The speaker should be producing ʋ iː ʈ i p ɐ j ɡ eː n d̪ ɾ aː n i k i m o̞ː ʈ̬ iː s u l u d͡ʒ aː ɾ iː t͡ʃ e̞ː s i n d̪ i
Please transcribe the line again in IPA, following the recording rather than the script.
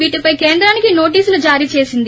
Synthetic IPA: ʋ iː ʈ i p ɐ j k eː n d̪ ɾ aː n i k i n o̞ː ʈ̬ iː s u l u d͡ʒ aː ɾ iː t͡ʃ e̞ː s i n d̪ i